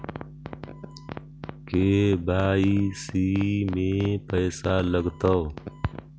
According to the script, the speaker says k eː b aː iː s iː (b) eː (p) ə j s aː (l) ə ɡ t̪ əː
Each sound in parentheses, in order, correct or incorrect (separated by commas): incorrect, correct, correct